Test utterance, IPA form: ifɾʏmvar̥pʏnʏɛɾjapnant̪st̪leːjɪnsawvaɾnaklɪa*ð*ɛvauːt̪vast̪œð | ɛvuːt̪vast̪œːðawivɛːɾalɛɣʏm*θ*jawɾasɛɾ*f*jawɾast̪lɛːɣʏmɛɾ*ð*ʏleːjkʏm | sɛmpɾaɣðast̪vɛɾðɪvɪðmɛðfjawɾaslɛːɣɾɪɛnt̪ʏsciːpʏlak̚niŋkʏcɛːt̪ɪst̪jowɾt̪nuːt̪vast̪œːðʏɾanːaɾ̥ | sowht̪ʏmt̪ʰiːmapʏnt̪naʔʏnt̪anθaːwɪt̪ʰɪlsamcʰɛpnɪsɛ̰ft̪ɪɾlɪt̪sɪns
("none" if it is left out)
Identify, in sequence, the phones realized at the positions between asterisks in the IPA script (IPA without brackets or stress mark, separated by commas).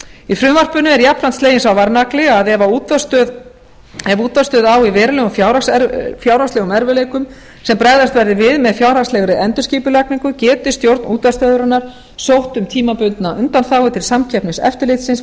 ð, f, f, v